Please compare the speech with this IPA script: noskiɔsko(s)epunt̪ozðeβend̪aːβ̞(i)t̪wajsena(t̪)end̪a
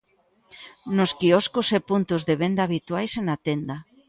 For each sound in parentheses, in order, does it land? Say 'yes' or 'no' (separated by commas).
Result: yes, yes, yes